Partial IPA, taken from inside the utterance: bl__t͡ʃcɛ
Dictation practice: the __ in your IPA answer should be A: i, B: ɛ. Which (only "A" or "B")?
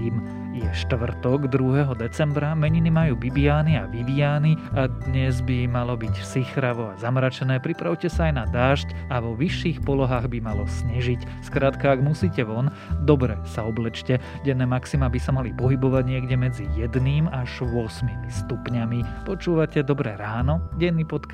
B